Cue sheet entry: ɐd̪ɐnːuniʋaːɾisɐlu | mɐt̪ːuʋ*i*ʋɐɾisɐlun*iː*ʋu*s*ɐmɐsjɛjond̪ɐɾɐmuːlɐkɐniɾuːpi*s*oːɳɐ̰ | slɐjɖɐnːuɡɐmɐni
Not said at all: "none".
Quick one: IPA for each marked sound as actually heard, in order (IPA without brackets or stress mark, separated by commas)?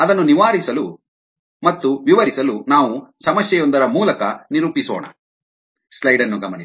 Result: i, aː, s, s